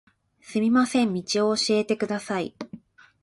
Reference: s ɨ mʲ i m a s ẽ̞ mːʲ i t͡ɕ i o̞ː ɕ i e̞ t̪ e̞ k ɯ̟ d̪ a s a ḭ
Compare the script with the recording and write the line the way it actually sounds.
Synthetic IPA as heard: s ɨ mʲ i m a s ẽ̞ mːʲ i t͡ɕ i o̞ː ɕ i e̞ t̪ e̞ k ɯ̟ d̪ a s a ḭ